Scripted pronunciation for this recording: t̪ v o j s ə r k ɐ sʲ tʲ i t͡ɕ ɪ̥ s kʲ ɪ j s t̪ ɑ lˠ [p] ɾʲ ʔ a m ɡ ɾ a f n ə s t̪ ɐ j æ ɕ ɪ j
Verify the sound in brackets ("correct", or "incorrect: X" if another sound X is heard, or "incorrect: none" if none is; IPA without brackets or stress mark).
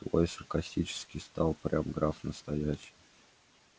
correct